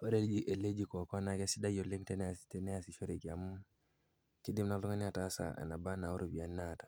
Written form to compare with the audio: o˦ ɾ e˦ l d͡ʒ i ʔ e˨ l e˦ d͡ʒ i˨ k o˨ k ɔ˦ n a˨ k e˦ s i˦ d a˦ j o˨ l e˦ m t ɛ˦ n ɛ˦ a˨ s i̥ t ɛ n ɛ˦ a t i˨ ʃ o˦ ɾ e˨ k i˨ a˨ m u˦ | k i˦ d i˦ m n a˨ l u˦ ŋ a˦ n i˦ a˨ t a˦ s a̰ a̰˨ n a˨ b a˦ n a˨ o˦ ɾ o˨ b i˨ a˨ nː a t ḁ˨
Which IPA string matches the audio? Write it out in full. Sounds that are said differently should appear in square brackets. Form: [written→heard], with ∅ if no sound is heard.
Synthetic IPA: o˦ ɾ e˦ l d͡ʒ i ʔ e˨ l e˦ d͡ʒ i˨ k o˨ k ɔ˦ n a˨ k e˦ s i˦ d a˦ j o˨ l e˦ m t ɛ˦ n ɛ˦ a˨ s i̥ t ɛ n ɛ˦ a [t→s] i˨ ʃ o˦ ɾ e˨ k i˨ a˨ m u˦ | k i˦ d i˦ m n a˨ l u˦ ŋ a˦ n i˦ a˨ t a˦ s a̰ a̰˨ n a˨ b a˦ n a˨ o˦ ɾ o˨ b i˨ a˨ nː a t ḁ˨